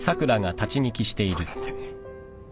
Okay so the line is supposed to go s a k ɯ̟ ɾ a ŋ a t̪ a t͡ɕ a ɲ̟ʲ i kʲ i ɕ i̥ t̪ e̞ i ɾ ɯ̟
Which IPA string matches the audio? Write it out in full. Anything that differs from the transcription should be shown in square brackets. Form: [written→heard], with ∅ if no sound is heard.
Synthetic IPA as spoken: s a k ɯ̟ ɾ a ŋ a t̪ a t͡ɕ [a→i] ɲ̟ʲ i kʲ i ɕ i̥ t̪ e̞ i ɾ ɯ̟